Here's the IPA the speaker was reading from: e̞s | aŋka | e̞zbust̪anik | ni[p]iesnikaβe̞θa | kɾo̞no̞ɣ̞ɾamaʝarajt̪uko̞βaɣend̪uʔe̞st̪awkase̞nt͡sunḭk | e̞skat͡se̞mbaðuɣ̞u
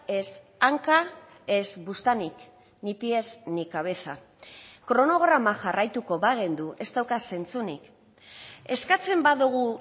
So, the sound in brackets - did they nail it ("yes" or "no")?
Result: yes